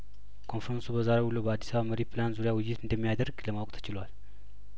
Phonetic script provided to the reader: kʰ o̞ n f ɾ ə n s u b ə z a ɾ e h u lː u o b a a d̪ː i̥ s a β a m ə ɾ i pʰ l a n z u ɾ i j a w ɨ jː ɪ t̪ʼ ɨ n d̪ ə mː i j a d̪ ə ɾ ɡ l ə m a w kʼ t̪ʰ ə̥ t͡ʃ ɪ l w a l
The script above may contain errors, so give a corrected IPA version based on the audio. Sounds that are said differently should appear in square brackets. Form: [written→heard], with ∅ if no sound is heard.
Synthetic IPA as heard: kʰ o̞ n f ɾ ə n s u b ə z a ɾ e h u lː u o b [a→ə] a d̪ː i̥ s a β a m ə ɾ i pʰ l a n z u ɾ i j a w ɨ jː ɪ [t̪ʼ→t̪] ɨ n d̪ ə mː i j a d̪ ə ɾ ɡ l ə m a w kʼ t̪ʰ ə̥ t͡ʃ ɪ l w a l